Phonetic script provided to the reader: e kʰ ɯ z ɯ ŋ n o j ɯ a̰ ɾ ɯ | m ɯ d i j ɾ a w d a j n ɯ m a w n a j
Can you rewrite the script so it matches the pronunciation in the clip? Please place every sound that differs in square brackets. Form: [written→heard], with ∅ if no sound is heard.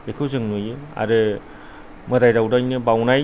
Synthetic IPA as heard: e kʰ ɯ z ɯ ŋ n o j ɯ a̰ ɾ ɯ | m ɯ d [i→a] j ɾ a w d a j n ɯ [m→b] a w n a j